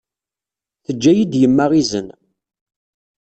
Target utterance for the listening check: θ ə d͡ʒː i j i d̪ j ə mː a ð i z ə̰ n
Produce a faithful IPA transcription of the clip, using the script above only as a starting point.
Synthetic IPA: θ ə d͡ʒː æ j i d̪ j ə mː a ʁ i z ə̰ n